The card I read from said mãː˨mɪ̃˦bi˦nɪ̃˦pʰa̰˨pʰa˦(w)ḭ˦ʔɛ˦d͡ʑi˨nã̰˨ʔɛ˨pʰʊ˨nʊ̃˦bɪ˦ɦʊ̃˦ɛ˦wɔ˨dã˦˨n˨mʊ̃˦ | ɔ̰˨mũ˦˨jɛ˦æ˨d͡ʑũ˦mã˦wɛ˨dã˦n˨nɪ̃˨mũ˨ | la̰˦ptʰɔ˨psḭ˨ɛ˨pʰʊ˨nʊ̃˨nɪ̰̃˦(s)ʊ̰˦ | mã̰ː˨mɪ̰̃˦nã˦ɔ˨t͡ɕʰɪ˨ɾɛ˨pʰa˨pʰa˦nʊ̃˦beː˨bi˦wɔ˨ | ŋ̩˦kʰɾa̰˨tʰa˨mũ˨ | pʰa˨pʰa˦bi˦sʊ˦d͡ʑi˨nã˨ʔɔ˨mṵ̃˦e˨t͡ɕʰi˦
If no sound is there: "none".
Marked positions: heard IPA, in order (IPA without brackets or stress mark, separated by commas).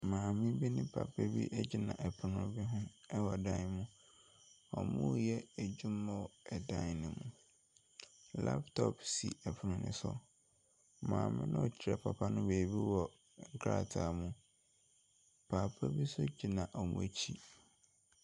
b, s